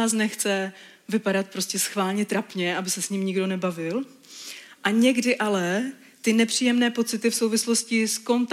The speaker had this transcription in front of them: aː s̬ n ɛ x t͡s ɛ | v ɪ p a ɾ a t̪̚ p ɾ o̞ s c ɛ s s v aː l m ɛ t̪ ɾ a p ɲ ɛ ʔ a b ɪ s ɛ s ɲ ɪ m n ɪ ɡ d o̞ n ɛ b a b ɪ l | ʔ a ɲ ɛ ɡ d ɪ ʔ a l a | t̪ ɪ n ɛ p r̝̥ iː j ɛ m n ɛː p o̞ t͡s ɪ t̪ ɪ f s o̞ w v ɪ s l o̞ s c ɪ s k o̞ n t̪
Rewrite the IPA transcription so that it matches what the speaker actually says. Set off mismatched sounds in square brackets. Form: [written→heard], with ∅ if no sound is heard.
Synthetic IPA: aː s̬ n ɛ x t͡s ɛ | v ɪ p a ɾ a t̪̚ p ɾ o̞ s c ɛ s [s→x] v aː l [m→ɲ] ɛ t̪ ɾ a p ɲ ɛ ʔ a b ɪ s ɛ s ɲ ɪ m [n→ɲ] ɪ ɡ d o̞ n ɛ b a [b→v] ɪ l | ʔ a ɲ ɛ ɡ d ɪ ʔ a l [a→ɛ] | t̪ ɪ n ɛ p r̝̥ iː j ɛ m n ɛː p o̞ t͡s ɪ t̪ ɪ f s o̞ w v ɪ s l o̞ s c ɪ s k o̞ n t̪